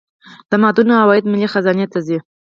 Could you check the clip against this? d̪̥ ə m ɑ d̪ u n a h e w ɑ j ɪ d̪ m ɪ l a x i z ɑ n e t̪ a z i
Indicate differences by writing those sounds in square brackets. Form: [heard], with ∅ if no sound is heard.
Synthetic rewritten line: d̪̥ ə m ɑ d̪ u n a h [a] w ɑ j ɪ d̪ m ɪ l [i] x [a] z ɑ n e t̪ a z i